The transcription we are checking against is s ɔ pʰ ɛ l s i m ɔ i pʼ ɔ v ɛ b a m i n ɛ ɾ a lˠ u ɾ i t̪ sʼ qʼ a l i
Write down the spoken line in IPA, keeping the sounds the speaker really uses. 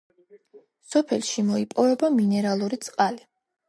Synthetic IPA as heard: s ɔ pʰ ɛ l ʃ i m ɔ i pʼ ɔ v ɛ b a m i n ɛ ɾ a lˠ u ɾ i t̪ sʼ qʼ a l i